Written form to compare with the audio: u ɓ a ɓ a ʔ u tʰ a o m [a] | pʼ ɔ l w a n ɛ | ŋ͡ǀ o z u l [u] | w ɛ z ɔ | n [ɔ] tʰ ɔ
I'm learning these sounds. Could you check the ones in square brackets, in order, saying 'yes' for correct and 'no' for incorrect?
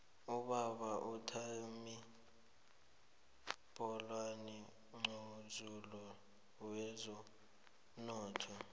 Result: no, no, no

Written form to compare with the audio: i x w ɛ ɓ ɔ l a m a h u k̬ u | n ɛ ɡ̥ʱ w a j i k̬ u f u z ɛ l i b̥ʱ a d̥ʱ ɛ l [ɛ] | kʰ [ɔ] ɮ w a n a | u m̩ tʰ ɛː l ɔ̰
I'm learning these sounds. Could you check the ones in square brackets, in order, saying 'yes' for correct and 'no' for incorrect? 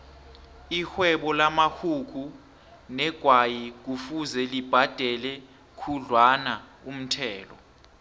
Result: yes, no

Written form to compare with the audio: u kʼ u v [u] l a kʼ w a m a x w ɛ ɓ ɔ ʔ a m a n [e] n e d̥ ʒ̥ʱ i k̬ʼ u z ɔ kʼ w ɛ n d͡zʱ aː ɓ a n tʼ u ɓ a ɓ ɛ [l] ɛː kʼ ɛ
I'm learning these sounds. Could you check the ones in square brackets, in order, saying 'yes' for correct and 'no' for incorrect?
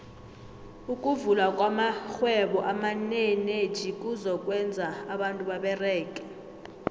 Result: yes, yes, no

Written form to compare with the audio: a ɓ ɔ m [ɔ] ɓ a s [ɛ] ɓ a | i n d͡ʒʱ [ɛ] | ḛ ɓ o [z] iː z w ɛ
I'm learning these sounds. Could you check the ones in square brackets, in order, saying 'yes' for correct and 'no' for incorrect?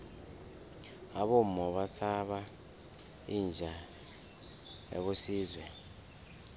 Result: yes, no, no, no

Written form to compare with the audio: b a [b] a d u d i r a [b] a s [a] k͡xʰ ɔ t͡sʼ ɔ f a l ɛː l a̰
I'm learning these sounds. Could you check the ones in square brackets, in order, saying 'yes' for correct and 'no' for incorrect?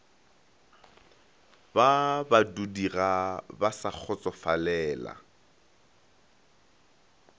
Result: yes, yes, yes

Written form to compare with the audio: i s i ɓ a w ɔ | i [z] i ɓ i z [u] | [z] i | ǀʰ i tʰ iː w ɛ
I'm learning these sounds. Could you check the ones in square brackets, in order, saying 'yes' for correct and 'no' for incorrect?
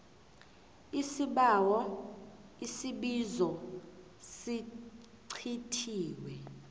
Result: no, no, no

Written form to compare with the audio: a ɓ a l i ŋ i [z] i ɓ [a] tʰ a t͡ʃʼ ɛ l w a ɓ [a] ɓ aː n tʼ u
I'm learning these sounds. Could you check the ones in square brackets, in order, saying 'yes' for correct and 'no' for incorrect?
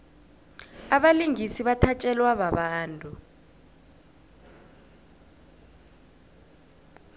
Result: no, yes, yes

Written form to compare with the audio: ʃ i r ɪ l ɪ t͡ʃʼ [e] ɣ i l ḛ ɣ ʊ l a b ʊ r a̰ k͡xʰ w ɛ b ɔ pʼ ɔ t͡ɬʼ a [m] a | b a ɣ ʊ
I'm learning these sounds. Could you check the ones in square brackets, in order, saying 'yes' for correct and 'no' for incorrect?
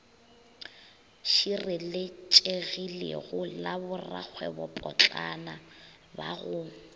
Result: yes, no

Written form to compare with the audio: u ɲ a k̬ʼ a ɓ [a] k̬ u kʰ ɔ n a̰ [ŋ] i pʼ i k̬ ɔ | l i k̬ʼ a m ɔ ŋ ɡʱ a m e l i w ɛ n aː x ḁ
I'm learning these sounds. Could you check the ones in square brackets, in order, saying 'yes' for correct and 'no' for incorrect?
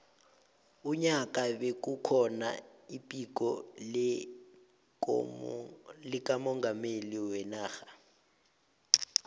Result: no, no

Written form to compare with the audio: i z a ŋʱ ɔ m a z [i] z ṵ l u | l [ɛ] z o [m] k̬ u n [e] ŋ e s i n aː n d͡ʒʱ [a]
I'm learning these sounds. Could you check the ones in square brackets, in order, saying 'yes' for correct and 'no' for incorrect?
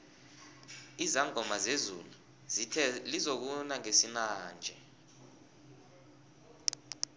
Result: no, no, no, no, no

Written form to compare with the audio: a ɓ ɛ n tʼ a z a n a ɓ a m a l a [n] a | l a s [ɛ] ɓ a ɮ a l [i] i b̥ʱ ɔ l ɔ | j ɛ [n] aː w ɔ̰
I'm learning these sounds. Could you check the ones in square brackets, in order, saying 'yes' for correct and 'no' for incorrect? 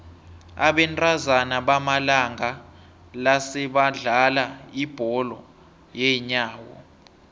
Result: no, yes, no, no

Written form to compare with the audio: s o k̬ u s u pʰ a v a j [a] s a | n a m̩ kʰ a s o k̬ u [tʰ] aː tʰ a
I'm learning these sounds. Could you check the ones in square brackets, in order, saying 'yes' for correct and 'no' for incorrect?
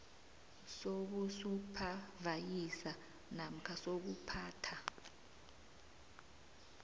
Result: no, no

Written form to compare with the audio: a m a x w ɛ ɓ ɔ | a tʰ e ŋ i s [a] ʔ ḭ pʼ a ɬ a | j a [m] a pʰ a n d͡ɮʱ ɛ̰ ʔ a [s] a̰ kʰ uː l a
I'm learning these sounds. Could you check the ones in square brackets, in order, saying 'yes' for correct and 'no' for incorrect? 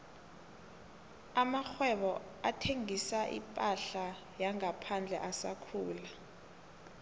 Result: yes, no, yes

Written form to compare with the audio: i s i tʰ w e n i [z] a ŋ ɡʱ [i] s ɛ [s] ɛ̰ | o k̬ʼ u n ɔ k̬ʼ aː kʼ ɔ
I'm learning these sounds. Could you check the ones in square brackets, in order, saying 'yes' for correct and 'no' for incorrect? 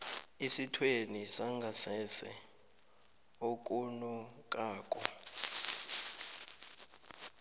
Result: no, no, yes

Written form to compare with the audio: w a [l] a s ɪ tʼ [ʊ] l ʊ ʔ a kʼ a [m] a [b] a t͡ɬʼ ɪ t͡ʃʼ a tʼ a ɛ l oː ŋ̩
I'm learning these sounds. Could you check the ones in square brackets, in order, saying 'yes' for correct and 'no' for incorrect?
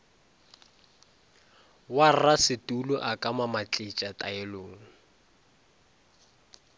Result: no, no, yes, no

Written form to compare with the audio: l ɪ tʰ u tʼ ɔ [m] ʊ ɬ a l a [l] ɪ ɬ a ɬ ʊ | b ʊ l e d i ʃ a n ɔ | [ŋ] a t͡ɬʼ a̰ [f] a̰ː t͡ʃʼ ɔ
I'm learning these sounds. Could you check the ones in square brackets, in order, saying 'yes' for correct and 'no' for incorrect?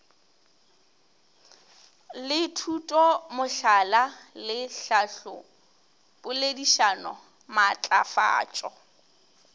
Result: yes, yes, no, yes

